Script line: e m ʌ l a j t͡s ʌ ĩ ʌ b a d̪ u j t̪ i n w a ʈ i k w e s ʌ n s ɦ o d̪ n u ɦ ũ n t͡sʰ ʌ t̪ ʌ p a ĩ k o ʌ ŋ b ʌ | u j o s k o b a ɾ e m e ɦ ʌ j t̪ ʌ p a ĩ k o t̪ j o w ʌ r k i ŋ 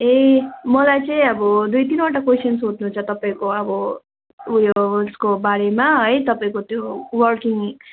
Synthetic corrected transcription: e m ʌ l a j t͡s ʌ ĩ ʌ b ʌ d̪ u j t̪ i n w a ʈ a k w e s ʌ n s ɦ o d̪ n u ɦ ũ n t͡sʰ ʌ t̪ ʌ p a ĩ k o ʌ b ʌ | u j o s k o b a ɾ e m a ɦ ʌ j t̪ ʌ p a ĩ k o t̪ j o w ʌ r k i ŋ